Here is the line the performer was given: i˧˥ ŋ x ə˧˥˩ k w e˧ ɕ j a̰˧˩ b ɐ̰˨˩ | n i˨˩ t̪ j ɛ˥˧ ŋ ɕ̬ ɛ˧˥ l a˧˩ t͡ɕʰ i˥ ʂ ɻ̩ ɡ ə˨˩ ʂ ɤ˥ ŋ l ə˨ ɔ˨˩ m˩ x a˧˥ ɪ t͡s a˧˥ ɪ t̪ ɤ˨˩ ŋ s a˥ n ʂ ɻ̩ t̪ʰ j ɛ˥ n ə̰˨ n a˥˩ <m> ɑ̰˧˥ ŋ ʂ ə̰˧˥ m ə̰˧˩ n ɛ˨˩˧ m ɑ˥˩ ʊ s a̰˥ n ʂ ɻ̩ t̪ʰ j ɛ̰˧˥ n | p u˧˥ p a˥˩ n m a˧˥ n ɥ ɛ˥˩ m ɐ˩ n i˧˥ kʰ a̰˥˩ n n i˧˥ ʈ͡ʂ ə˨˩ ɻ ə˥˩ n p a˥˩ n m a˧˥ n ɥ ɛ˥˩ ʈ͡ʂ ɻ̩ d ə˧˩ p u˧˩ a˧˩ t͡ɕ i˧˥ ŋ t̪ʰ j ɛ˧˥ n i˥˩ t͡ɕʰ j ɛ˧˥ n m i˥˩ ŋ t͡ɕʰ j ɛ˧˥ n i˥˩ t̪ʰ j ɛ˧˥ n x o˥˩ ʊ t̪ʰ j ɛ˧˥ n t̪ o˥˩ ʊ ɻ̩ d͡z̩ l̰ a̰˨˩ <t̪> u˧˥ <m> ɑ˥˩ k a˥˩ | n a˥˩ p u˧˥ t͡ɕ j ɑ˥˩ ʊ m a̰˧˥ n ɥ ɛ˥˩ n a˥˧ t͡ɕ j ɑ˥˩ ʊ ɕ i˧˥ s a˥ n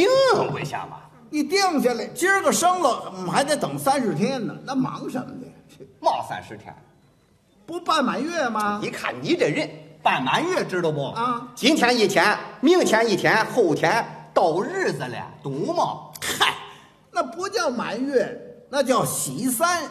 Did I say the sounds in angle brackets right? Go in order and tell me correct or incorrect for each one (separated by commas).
correct, correct, correct